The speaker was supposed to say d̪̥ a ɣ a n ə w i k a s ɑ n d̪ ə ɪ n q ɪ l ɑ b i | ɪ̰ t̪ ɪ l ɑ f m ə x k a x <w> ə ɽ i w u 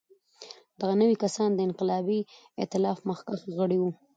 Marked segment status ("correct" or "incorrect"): incorrect